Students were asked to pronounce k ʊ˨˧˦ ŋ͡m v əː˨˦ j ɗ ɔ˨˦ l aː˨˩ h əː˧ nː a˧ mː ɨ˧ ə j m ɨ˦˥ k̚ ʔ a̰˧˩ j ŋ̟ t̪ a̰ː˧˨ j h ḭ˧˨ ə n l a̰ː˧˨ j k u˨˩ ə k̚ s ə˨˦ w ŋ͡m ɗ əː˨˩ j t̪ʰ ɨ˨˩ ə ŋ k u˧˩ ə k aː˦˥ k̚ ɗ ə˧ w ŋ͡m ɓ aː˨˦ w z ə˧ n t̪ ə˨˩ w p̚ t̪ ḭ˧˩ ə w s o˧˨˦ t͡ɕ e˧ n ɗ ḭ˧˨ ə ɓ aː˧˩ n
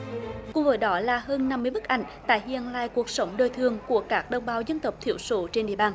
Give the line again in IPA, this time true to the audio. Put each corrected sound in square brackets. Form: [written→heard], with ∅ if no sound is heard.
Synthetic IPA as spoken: k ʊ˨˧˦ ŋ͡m v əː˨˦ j ɗ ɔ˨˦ l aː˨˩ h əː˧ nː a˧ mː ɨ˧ ə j m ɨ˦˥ k̚ ʔ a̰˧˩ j ŋ̟ t̪ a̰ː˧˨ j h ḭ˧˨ ə n l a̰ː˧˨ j k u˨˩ ə k̚ s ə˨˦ w ŋ͡m ɗ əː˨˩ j t̪ʰ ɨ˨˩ ə ŋ k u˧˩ ə k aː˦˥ k̚ ɗ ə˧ w ŋ͡m ɓ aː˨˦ w z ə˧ n t̪ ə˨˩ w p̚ [t̪→t̪ʰ] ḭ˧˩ ə w s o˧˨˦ t͡ɕ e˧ n ɗ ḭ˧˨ ə ɓ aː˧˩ n